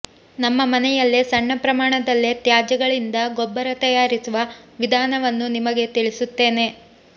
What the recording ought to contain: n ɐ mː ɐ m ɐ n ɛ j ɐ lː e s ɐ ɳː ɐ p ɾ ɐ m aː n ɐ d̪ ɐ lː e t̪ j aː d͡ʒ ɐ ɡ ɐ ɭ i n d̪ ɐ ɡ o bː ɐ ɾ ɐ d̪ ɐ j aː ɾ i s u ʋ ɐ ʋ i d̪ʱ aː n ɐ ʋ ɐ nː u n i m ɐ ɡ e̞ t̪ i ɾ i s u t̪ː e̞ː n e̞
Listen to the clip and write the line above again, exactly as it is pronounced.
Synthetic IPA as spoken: n ɐ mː ɐ m ɐ n ɛ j ɐ lː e s ɐ ɳː ɐ p ɾ ɐ m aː ɳ ɐ d̪ ɐ lː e t̪ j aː d͡ʒ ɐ ɡ ɐ ɭ i n d̪ ɐ ɡ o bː ɐ ɾ ɐ t̪ ɐ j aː ɾ i s u ʋ ɐ ʋ i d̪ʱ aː n ɐ ʋ ɐ nː u n i m ɐ ɡ e̞ t̪ i ɭ i s u t̪ː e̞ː n e̞